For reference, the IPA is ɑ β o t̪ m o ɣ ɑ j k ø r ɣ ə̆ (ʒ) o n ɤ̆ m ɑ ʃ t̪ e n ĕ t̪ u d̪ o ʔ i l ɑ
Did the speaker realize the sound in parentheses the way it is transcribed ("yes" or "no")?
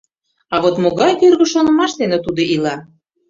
no